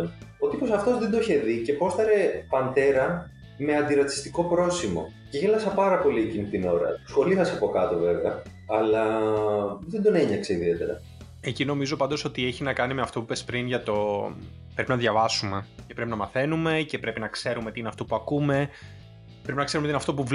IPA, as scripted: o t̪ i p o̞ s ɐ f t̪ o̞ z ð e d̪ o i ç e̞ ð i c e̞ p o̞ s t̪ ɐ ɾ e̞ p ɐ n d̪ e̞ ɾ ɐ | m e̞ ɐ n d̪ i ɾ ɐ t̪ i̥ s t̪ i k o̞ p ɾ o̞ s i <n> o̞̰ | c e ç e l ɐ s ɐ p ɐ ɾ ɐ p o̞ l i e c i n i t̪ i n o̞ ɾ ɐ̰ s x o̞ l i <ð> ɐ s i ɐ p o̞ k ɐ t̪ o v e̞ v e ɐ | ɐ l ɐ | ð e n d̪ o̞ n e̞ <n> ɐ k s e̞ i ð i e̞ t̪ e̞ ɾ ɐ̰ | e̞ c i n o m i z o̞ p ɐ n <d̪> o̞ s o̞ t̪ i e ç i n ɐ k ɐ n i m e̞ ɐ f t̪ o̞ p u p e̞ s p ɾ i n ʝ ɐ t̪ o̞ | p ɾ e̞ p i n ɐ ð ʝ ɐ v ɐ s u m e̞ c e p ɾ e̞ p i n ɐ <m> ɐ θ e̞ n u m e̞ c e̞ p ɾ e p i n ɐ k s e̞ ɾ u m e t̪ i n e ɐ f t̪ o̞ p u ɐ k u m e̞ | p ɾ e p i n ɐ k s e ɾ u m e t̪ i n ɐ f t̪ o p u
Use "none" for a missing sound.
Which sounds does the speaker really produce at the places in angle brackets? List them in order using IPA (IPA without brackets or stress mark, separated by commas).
m, θ, ɲ, d̪, m